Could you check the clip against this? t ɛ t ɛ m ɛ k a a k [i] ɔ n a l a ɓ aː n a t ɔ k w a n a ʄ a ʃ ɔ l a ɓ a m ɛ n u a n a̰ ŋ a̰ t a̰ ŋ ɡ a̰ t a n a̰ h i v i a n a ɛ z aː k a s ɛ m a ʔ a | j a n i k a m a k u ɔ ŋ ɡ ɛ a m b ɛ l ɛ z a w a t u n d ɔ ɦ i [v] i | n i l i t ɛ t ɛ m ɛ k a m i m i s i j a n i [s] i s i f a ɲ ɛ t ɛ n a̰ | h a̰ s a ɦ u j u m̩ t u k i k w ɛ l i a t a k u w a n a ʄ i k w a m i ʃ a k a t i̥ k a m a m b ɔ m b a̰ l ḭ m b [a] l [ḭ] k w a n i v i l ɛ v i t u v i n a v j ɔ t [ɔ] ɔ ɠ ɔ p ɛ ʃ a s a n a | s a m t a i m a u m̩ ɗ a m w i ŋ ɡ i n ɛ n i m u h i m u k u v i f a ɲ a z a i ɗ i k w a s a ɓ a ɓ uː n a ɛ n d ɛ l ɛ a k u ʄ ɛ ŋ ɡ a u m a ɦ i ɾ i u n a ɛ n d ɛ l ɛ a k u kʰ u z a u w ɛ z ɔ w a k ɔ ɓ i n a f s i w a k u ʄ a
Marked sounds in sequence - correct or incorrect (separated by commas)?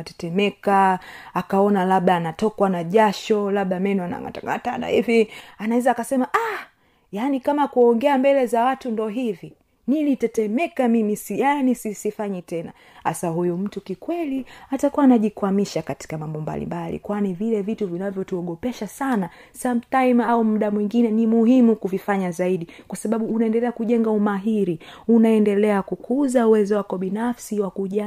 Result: incorrect, correct, correct, correct, correct, incorrect